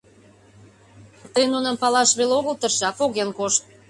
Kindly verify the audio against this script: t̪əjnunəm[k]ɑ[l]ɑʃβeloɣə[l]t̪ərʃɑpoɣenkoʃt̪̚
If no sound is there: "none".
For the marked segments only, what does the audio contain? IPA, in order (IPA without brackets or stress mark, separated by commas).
p, l, l